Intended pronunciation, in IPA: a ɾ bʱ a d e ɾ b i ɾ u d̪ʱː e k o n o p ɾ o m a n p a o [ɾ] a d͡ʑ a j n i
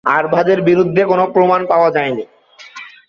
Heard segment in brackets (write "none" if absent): none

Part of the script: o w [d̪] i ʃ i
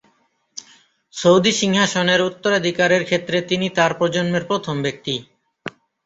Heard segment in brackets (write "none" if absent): d̪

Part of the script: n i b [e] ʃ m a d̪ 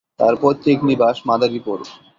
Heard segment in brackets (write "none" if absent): a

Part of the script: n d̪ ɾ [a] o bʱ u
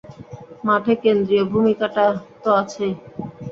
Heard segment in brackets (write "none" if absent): i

